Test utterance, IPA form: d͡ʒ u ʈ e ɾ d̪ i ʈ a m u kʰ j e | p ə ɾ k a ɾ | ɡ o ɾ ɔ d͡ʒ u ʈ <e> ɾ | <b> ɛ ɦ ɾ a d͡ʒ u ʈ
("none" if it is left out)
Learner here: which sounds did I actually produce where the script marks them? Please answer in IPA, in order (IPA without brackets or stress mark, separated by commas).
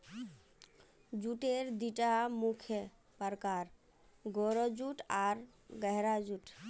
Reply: a, ɡ